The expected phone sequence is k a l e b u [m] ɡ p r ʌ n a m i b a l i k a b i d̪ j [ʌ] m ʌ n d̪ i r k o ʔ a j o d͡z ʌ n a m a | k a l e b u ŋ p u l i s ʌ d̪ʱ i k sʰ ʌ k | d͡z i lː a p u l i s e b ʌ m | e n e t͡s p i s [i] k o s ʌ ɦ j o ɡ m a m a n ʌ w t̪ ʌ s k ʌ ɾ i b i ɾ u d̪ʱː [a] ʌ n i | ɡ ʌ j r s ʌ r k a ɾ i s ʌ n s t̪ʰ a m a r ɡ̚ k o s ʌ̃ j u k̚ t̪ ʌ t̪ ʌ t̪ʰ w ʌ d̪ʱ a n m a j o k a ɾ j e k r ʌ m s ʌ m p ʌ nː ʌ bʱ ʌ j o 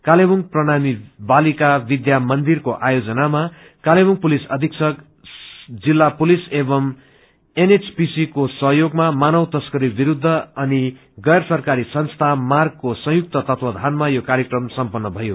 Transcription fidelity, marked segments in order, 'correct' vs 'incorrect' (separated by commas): incorrect, incorrect, correct, incorrect